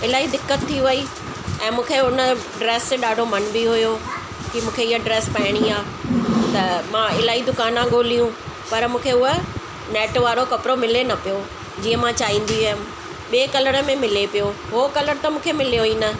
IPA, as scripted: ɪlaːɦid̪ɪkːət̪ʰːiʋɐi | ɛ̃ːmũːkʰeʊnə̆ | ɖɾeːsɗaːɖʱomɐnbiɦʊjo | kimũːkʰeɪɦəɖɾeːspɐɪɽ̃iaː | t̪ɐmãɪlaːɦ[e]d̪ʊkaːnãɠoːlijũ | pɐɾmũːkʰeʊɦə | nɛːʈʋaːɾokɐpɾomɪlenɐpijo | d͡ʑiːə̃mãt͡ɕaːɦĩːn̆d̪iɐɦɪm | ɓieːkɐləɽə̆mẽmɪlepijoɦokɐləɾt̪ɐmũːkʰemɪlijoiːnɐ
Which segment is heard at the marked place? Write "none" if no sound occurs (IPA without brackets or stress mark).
i